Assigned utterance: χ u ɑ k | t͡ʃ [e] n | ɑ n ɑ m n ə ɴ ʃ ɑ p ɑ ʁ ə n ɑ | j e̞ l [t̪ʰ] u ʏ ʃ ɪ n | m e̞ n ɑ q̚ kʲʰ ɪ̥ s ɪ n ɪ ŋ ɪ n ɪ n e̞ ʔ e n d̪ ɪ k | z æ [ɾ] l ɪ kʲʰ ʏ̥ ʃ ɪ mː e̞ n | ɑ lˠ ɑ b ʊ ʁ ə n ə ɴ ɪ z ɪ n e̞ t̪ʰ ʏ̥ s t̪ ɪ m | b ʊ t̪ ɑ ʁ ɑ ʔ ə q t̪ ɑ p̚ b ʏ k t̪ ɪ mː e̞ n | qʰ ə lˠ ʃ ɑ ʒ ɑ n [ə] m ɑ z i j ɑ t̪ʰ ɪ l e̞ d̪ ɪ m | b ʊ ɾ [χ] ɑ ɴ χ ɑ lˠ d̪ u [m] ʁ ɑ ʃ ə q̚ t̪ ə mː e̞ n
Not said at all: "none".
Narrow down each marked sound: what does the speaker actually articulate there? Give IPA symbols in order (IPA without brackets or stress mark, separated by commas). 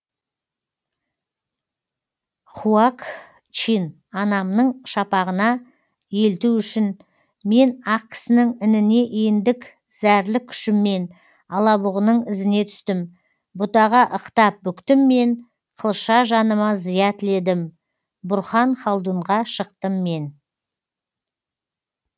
i, t̪, ɾ, ə, χ, ɴ